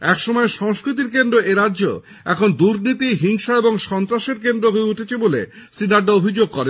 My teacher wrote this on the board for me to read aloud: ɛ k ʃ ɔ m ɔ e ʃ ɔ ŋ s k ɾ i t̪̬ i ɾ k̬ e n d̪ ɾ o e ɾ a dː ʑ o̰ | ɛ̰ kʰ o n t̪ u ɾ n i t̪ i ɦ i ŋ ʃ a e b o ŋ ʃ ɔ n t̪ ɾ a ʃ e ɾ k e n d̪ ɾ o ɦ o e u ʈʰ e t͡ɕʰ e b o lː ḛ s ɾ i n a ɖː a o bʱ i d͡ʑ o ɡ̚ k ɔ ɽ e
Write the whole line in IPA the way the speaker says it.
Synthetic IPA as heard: ɛ k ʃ ɔ m ɔ e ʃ ɔ ŋ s k ɾ i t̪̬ i ɾ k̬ e n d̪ ɾ o e ɾ a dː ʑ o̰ | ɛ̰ kʰ o n d̪ u ɾ n i t̪ i ɦ i ŋ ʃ a e b o ŋ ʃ ɔ n t̪ ɾ a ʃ e ɾ k e n d̪ ɾ o ɦ o e u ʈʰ e t͡ɕʰ e b o l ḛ s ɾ i n a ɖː a o bʱ i d͡ʑ o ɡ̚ k ɔ ɾ e